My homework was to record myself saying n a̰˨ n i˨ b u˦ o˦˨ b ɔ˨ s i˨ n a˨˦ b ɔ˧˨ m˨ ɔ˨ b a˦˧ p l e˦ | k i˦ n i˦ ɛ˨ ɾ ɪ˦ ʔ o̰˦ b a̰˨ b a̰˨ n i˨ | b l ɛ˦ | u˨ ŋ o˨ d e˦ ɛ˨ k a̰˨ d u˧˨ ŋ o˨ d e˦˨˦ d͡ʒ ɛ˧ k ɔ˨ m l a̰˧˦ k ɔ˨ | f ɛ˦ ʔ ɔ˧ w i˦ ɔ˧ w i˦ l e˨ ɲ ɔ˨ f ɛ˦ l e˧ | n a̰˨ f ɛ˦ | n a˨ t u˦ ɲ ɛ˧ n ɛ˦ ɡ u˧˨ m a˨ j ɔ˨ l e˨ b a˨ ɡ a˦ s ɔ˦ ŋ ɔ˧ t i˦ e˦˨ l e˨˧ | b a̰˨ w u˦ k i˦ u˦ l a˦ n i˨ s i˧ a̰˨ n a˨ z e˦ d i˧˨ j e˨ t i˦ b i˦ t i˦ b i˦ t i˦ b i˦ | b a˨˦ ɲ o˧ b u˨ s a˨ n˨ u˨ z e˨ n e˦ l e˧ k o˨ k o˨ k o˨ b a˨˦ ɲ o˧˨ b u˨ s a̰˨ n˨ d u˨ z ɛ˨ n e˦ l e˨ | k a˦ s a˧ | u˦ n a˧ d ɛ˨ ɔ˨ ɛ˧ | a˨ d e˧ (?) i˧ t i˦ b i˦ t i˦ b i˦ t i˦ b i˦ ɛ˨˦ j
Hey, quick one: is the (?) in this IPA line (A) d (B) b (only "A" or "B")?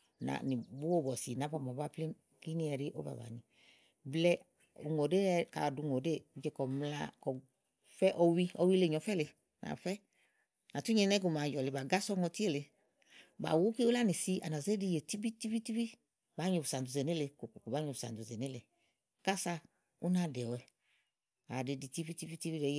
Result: A